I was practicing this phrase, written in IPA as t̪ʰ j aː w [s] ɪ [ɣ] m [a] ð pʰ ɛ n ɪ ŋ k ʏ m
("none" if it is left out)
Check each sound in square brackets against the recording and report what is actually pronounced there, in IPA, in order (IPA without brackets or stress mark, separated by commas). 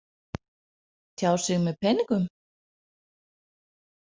s, ɣ, ɛ